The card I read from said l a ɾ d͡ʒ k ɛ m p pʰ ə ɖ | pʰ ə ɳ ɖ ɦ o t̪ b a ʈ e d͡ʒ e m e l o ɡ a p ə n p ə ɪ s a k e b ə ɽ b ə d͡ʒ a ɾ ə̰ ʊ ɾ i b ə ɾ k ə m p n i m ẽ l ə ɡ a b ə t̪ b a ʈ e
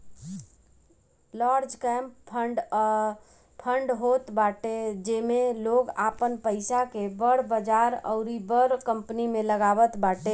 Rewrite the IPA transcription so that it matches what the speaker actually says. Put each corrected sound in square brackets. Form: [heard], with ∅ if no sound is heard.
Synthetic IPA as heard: l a ɾ d͡ʒ k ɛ m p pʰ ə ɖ | pʰ ə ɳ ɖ ɦ o t̪ b a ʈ e d͡ʒ e m e l o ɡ a p ə n p ə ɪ s a k e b ə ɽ b ə d͡ʒ a ɾ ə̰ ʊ ɾ i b ə ɾ k ə m p n i m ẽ l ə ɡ a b ə t̪ b a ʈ e